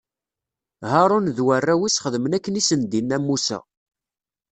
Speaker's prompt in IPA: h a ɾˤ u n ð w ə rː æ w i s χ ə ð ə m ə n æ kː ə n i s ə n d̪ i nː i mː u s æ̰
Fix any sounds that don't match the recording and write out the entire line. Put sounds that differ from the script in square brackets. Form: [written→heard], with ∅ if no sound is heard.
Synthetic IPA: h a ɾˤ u n ð w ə rː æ w i s χ ə ð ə m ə n æ kː ə n i s ə n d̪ i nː [i→æ] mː u s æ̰

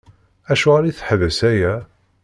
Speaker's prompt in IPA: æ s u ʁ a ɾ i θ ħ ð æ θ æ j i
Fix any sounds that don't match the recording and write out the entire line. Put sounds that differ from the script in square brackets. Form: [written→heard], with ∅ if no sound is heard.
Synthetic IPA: æ [s→ʃ] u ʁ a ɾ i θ ħ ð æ [θ→s] æ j [i→æ]

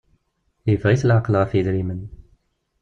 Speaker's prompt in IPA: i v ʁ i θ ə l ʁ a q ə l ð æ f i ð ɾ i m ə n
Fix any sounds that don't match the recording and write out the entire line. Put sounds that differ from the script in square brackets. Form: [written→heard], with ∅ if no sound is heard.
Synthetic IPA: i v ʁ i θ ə l [ʁ→ʕ] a q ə l [ð→ʁ] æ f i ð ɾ i m ə n

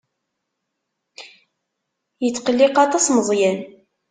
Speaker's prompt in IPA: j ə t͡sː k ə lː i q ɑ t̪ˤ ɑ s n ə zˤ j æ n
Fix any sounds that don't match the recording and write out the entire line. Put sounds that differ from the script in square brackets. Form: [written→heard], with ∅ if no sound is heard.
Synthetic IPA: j ə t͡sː [k→q] ə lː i q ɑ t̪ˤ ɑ s [n→m] ə zˤ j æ n

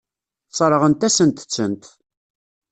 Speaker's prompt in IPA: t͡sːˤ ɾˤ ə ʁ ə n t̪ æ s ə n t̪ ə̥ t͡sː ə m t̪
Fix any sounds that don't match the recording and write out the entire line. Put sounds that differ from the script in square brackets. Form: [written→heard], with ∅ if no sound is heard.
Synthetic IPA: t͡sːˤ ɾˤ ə ʁ ə n t̪ æ s ə n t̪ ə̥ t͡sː ə [m→n] t̪

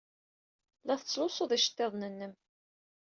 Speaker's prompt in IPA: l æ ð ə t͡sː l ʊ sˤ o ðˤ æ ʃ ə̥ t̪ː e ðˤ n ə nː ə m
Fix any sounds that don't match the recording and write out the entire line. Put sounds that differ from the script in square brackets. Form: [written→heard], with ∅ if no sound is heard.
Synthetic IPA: l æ [ð→θ] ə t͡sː l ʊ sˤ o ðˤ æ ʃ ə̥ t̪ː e ðˤ n ə nː ə m

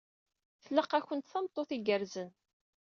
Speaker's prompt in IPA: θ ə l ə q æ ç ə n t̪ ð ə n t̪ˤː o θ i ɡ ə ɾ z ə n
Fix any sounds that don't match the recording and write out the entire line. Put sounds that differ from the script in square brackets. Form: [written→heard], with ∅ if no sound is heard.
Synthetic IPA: θ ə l ə q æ ç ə n t̪ [ð→θ] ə [n→m] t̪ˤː o θ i ɡ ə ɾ z ə n

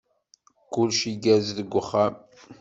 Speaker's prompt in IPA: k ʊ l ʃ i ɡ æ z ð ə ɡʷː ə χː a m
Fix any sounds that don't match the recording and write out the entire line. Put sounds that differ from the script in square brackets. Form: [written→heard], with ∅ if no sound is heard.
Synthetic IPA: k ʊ l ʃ i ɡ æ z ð ə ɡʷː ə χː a m

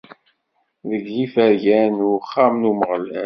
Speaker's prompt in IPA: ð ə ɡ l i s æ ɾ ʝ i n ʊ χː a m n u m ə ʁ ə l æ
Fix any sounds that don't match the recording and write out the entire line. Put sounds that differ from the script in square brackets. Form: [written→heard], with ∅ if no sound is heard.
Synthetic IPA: ð ə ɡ l i [s→f] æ ɾ ʝ [i→æ] n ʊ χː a m n u m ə ʁ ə l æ

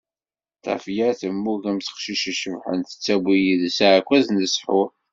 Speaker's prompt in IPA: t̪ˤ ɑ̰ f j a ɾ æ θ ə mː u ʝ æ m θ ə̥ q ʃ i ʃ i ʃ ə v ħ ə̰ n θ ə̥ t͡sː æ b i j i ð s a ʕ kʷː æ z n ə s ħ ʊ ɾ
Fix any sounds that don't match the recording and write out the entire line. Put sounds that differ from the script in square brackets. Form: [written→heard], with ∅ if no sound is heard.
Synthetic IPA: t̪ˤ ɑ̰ f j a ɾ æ θ ə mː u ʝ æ m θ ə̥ q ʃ i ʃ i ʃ ə v ħ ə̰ n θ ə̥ t͡sː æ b i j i ð s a ʕ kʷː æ z n ə s ħ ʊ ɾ

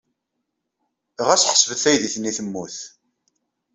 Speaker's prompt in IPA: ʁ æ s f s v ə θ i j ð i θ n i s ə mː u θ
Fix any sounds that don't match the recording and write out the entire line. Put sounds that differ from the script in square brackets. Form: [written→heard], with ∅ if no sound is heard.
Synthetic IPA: ʁ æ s [f→ħ] s v ə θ [i→æ] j ð i θ n i [s→θ] ə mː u θ

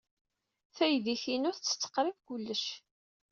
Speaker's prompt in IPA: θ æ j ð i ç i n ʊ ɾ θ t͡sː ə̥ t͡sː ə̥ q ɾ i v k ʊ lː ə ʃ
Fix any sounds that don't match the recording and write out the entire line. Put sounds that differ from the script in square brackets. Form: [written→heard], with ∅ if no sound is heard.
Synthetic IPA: θ æ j ð i ç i n ʊ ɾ θ t͡sː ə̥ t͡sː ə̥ q ɾ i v k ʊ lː ə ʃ

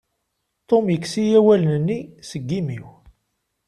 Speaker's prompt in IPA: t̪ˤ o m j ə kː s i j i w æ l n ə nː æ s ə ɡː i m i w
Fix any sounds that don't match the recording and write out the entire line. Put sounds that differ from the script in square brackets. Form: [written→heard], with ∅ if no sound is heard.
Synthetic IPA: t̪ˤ o m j ə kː s i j [i→æ] w æ l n ə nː [æ→i] s ə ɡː i m i w

